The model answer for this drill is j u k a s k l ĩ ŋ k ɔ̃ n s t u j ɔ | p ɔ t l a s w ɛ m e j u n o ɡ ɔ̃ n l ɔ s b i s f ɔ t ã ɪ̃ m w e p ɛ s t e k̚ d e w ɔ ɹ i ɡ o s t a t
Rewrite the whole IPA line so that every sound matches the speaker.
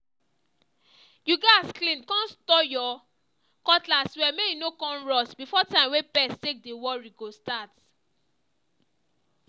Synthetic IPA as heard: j u ɡ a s k l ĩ n k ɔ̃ n s t ɔ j ɔ | k ɔ t l a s w ɛ m e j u n o k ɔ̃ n ɹ ɔ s b i f ɔ t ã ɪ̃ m w e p ɛ s t e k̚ d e w ɔ ɹ i ɡ o s t a t